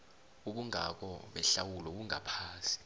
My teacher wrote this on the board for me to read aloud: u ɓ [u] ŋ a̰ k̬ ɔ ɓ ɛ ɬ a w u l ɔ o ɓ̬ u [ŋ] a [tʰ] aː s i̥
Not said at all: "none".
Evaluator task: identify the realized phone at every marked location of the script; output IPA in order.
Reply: u, ŋ, pʰ

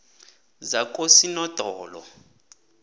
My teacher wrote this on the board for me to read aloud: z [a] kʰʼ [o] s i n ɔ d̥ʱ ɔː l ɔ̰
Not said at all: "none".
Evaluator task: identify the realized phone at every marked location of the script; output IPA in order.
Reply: a, o

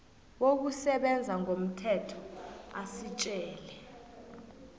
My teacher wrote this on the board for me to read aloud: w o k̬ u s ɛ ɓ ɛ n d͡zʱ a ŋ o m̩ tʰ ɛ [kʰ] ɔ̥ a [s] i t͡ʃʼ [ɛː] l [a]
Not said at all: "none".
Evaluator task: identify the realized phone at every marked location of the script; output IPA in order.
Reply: tʰ, s, ɛː, ɛ

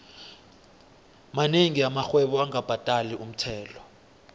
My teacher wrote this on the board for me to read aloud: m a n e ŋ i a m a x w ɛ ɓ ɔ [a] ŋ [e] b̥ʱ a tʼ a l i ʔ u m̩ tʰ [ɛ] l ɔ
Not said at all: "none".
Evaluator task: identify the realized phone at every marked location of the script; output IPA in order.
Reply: a, a, ɛː

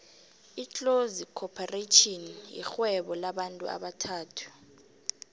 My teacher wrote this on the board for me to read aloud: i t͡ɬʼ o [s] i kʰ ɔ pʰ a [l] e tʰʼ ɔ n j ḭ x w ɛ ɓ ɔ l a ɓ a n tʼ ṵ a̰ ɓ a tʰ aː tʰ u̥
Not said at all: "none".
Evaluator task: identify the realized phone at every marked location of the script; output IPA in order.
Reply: z, r

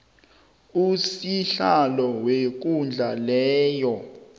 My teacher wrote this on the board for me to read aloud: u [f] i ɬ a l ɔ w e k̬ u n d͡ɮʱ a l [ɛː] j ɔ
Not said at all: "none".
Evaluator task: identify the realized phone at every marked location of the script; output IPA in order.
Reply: s, ɛː

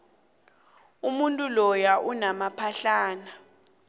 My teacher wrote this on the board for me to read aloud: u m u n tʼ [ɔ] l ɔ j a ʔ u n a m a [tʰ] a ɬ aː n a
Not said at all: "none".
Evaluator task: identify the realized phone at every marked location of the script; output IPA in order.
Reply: u, pʰ

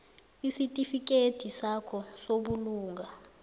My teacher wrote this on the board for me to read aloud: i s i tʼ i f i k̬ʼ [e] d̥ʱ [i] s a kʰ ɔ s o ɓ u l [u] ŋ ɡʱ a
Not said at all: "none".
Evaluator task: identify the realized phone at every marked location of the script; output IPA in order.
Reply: e, i, uː

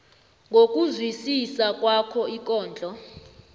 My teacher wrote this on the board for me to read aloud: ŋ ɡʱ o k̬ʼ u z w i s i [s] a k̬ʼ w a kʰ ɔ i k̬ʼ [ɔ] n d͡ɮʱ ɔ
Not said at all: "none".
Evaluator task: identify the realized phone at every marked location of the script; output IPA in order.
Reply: s, ɔː

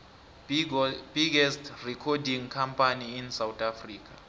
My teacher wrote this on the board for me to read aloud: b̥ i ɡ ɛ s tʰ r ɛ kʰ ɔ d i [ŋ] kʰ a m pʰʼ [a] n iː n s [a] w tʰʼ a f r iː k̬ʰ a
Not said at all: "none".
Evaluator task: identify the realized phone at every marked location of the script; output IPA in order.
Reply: ŋ, a, a

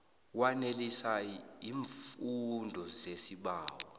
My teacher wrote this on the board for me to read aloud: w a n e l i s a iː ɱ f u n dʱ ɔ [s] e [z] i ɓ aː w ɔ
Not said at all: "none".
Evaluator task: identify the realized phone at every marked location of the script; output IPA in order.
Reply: z, s

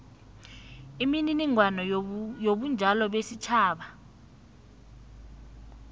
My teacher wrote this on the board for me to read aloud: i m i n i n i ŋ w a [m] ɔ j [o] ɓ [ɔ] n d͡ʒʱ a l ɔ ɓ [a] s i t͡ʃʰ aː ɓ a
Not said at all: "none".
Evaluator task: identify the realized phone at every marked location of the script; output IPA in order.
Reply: n, o, u, e

